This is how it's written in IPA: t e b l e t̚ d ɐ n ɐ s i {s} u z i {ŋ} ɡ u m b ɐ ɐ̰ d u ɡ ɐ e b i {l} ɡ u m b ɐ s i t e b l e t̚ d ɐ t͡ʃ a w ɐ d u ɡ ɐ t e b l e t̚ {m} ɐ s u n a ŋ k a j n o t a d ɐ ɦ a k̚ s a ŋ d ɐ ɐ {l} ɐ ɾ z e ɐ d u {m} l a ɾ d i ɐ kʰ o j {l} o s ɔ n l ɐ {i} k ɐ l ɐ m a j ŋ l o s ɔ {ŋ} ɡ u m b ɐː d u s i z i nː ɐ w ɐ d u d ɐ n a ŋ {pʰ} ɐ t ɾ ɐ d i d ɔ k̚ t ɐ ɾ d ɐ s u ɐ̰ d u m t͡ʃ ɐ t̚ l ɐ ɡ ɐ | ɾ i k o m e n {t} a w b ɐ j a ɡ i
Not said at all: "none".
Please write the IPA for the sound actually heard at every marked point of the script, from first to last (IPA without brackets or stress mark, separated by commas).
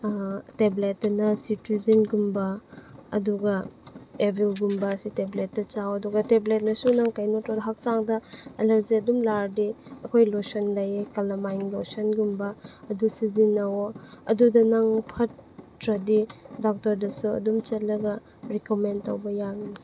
t, n, l, n, l, m, l, j, n, pʰ, t